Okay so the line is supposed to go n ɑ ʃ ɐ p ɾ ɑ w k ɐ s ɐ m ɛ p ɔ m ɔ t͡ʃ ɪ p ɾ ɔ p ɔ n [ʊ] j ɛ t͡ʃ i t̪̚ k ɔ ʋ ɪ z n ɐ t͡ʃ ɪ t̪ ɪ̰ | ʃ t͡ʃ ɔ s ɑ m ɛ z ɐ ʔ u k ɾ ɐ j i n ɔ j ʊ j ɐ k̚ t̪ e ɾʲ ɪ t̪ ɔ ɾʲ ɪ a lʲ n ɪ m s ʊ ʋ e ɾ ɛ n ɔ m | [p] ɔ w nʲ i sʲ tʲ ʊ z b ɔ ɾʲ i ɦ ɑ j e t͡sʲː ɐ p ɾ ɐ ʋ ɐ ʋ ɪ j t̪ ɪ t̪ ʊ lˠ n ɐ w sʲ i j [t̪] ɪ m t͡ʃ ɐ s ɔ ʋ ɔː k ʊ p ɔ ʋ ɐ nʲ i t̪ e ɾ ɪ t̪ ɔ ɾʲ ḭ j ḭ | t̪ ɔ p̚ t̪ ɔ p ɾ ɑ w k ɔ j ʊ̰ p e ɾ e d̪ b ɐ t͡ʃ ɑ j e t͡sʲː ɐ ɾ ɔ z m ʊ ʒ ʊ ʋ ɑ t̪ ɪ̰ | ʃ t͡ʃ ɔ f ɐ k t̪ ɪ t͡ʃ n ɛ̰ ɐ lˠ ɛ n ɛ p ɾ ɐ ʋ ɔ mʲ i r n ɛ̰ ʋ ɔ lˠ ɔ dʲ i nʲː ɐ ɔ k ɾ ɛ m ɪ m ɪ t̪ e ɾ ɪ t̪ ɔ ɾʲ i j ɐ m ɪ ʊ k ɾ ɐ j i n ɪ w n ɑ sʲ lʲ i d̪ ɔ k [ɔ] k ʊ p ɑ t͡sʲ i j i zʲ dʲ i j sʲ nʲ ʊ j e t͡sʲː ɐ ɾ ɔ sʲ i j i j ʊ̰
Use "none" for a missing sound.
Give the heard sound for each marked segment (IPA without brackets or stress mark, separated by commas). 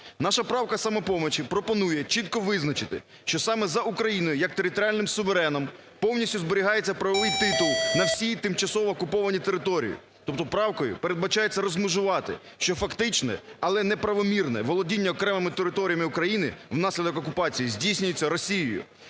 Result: u, p, t̪, ɔ